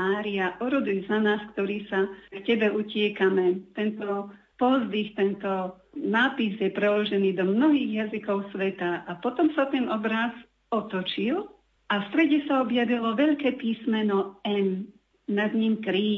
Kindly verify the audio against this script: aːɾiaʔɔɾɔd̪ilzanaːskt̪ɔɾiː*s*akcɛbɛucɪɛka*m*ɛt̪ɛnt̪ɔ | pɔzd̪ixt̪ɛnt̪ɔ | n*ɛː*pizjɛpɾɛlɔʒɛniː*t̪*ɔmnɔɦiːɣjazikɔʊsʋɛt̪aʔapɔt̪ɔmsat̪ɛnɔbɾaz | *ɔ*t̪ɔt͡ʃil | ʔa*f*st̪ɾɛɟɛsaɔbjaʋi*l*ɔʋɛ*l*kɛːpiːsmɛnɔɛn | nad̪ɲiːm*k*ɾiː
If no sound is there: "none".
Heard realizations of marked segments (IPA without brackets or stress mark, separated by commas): s, m, aː, d̪, ɔ, f, l, ʎ, k